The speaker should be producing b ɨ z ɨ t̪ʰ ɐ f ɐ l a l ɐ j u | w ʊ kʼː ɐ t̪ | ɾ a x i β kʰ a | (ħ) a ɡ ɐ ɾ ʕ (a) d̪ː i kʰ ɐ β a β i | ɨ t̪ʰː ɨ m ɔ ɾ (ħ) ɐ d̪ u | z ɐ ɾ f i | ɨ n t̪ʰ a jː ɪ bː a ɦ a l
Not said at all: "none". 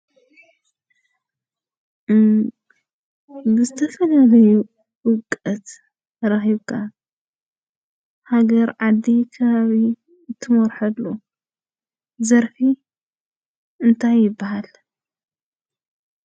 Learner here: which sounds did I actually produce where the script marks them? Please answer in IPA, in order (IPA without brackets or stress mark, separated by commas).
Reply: h, a, ħ